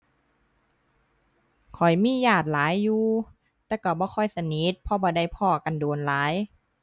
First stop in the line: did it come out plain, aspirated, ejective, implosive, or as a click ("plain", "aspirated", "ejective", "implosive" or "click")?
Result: aspirated